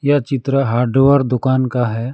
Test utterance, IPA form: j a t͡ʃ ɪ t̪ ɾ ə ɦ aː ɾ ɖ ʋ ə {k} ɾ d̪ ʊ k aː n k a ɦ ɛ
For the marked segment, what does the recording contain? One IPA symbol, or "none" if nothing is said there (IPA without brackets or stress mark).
none